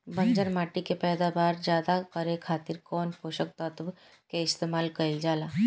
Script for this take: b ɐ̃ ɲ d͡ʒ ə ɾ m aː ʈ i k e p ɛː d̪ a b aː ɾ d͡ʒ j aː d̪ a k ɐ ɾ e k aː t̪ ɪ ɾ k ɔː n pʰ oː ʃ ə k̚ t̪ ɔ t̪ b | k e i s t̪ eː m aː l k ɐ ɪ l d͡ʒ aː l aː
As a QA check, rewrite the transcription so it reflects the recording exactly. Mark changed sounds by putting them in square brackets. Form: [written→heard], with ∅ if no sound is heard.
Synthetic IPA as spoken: b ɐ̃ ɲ d͡ʒ ə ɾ m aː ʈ i k e p ɛː d̪ a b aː ɾ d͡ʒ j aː d̪ a k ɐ ɾ e [k→kʰ] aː t̪ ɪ ɾ k ɔː n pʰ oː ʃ ə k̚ t̪ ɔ t̪ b | k e [i→ɪ] s t̪ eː m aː l k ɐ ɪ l d͡ʒ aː l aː